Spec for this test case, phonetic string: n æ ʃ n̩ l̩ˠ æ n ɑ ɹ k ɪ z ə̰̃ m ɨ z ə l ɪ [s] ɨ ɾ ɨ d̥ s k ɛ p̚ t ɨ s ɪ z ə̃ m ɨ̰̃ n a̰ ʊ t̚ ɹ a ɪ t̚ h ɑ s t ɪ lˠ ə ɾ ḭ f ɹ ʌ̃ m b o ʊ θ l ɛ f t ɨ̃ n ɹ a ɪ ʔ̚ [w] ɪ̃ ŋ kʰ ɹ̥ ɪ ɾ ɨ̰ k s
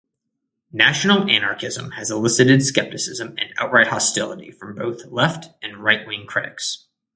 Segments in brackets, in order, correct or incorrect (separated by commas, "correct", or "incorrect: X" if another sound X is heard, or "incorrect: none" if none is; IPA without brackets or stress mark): correct, correct